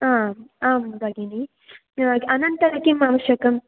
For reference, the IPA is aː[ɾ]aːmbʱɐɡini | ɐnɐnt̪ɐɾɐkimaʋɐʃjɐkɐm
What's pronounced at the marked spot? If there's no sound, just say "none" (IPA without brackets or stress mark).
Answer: none